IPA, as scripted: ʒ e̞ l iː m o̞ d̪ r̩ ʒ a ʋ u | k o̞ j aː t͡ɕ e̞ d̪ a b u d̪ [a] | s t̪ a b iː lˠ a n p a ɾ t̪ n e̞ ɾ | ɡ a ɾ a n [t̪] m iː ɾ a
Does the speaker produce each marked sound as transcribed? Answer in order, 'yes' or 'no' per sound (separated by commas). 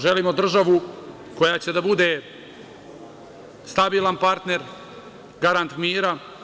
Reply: no, yes